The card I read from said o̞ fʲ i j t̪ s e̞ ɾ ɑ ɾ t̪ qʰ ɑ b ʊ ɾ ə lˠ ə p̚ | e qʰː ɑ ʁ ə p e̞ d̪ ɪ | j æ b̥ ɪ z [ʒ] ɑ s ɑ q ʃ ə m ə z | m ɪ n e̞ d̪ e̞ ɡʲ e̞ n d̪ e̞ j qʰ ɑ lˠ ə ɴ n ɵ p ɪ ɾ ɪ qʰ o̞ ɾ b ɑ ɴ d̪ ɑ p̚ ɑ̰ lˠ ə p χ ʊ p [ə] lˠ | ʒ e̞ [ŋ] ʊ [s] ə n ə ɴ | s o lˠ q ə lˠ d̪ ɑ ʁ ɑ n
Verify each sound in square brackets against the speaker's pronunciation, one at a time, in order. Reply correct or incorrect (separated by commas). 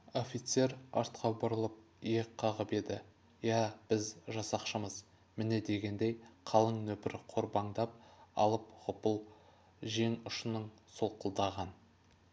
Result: correct, correct, correct, incorrect